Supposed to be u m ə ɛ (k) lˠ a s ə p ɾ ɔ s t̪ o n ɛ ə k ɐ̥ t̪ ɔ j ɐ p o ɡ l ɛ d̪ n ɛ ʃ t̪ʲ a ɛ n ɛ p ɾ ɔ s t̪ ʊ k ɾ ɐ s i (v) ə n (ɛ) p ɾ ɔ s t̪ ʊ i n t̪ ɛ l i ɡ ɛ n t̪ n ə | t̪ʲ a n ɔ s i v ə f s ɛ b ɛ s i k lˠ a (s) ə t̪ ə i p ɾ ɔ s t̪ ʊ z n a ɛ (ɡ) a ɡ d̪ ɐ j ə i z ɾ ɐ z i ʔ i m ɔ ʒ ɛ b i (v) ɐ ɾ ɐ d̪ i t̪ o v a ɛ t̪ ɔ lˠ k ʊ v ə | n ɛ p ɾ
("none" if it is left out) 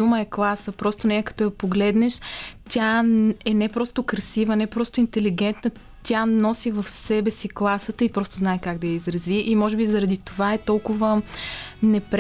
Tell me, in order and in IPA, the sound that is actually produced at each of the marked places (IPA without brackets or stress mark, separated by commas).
k, v, ɛ, s, k, z